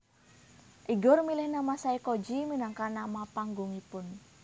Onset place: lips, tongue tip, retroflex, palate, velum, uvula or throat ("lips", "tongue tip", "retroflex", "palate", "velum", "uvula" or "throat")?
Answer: throat